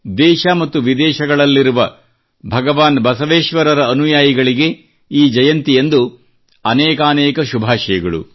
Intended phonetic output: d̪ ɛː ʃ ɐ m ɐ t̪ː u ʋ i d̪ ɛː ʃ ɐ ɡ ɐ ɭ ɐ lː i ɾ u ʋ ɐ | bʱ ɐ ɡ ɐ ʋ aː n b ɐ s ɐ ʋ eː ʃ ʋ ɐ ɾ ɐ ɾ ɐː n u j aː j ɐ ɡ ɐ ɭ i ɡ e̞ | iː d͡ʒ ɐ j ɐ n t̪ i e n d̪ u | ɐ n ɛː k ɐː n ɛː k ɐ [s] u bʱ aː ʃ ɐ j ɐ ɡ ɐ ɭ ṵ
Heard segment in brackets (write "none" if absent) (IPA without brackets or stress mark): ʃ